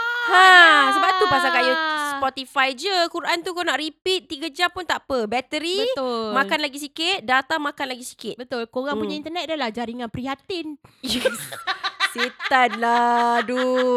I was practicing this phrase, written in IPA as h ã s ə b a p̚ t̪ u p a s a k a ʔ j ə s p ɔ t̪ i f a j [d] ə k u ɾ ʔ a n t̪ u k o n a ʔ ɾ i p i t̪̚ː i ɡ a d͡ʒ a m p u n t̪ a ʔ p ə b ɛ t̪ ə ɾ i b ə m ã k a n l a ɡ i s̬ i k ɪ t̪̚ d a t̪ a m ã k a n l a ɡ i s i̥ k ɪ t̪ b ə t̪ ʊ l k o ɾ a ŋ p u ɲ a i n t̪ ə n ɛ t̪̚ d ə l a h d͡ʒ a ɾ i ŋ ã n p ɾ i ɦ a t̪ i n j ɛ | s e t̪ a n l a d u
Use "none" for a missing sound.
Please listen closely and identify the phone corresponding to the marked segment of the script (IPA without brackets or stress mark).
d͡ʒ